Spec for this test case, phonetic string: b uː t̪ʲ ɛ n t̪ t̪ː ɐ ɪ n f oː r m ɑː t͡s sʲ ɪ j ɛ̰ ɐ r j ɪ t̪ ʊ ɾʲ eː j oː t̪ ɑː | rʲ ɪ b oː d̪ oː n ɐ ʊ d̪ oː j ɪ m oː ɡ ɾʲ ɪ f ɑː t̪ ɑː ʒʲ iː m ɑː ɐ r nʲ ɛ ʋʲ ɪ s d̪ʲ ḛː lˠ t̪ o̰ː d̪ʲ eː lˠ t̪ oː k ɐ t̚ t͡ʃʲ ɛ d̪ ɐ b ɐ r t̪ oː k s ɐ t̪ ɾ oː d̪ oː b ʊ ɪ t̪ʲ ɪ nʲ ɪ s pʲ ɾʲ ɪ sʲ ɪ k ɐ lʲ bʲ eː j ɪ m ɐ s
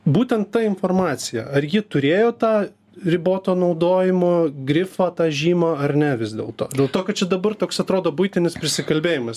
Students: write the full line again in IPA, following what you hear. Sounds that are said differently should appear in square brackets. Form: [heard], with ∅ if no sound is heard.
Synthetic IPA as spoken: b uː t̪ʲ ɛ n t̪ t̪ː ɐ ɪ n f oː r m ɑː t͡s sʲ ɪ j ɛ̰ ɐ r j ɪ t̪ ʊ ɾʲ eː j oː t̪ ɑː | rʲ ɪ b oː [t̪] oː n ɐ ʊ d̪ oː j ɪ m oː ɡ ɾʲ ɪ f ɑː t̪ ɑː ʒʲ iː m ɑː ɐ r nʲ ɛ ʋʲ ɪ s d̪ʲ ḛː lˠ t̪ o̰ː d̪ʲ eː lˠ t̪ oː k ɐ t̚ t͡ʃʲ ɛ d̪ ɐ b ɐ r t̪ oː k s ɐ t̪ ɾ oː d̪ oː b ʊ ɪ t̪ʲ ɪ nʲ ɪ s pʲ ɾʲ ɪ sʲ ɪ k ɐ lʲ bʲ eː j ɪ m ɐ s

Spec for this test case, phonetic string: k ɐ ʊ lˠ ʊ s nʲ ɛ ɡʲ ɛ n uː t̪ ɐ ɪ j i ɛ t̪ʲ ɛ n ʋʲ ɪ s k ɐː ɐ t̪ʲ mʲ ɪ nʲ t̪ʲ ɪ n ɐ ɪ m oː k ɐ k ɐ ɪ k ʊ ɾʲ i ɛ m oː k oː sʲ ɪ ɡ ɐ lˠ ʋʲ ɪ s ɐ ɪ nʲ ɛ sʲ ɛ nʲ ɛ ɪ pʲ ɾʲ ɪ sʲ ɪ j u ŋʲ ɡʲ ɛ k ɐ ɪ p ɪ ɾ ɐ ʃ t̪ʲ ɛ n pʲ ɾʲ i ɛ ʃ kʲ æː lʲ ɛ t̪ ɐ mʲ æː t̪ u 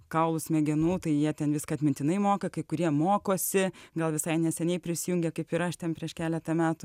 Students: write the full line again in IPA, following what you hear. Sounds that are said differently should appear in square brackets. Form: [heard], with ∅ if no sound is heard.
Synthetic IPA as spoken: k ɐ ʊ lˠ ʊ s [mʲ] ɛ ɡʲ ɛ n uː t̪ ɐ ɪ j i ɛ t̪ʲ ɛ n ʋʲ ɪ s k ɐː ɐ t̪ʲ mʲ ɪ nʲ t̪ʲ ɪ n ɐ ɪ m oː k ɐ k ɐ ɪ k ʊ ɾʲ i ɛ m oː k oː sʲ ɪ ɡ ɐ lˠ ʋʲ ɪ s ɐ ɪ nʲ ɛ sʲ ɛ nʲ ɛ ɪ pʲ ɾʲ ɪ sʲ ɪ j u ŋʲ ɡʲ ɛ k ɐ ɪ p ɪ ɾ ɐ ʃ t̪ʲ ɛ n pʲ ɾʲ i ɛ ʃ kʲ æː lʲ ɛ t̪ ɐ mʲ æː t̪ [ʊ]

